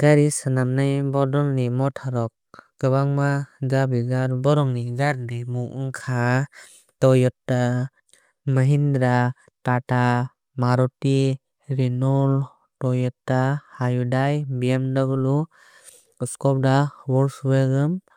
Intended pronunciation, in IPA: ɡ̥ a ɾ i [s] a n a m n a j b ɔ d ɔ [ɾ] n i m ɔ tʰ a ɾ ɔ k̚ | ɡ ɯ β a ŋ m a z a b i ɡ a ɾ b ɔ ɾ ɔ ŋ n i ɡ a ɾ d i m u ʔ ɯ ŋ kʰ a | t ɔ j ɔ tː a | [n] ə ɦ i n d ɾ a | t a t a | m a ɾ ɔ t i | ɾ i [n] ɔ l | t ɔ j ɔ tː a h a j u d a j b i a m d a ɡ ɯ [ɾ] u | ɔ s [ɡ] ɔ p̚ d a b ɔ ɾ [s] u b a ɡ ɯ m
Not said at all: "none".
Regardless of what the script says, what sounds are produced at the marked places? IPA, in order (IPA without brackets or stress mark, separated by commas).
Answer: s, l, m, n, l, k, s